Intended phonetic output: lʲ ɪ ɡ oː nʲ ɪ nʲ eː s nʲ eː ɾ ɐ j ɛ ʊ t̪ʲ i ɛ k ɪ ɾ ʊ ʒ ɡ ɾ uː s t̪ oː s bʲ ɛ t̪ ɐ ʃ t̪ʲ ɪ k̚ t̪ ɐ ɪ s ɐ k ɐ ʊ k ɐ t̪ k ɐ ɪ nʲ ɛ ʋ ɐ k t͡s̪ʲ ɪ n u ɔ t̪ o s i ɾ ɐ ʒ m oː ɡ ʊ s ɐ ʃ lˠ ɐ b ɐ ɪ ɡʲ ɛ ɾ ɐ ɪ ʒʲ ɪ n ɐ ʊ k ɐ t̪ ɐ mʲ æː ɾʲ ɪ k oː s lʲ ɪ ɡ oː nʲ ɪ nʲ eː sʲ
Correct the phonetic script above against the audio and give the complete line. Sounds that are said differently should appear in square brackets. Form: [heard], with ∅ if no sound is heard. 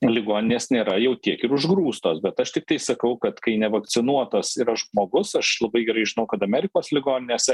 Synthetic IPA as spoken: lʲ ɪ ɡ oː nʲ ɪ nʲ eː s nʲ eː ɾ ɐ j ɛ ʊ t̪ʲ i ɛ k ɪ ɾ ʊ ʒ ɡ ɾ uː s t̪ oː s bʲ ɛ t̪ ɐ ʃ t̪ʲ ɪ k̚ t̪ ɐ ɪ s ɐ k ɐ ʊ k ɐ t̪ k ɐ ɪ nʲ ɛ ʋ ɐ k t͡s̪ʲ ɪ n u ɔ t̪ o s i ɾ ɐ ʒ m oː ɡ ʊ s ɐ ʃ lˠ ɐ b ɐ ɪ ɡʲ ɛ ɾ ɐ ɪ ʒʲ ɪ n ɐ ʊ k ɐ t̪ ɐ mʲ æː ɾʲ ɪ k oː s lʲ ɪ ɡ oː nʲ ɪ nʲ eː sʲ